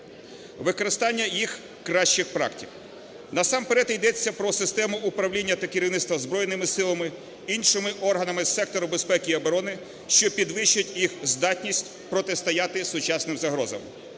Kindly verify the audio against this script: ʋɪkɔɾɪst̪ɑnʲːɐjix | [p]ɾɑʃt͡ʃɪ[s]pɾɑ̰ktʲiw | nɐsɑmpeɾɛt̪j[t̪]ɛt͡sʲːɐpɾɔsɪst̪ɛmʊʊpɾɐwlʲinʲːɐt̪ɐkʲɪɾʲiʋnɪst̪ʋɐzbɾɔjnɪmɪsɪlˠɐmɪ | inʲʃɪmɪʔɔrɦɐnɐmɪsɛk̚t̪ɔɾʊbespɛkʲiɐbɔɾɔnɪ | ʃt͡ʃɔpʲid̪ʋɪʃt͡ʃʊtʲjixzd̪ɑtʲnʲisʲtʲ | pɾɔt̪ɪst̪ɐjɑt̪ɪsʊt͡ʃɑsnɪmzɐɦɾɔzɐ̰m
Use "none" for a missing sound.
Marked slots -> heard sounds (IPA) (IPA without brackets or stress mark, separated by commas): k, x, d̪